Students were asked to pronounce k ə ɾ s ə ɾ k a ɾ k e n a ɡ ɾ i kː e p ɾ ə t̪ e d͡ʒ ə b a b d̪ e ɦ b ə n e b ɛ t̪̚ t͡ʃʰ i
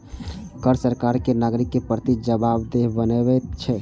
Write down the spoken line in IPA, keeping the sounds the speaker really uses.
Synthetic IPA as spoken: k ə ɾ s ə ɾ k a ɾ k e n a ɡ ɾ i kː e p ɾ ə t̪ i d͡ʒ ə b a b d̪ e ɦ b ə n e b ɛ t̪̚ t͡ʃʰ ɛ